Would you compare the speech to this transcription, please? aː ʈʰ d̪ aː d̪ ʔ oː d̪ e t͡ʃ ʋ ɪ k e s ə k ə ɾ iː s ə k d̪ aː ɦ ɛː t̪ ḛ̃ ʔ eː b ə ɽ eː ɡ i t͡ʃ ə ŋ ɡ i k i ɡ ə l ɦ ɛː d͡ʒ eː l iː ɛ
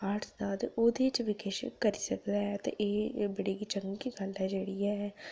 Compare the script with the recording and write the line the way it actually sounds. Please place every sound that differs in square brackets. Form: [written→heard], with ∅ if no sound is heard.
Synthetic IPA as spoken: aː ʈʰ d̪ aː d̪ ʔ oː d̪ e t͡ʃ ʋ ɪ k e [s→ʃ] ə k ə ɾ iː s ə k d̪ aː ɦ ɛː t̪ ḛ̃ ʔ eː b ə ɽ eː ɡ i t͡ʃ ə ŋ ɡ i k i ɡ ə l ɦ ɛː d͡ʒ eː [l→ɽ] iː ɛ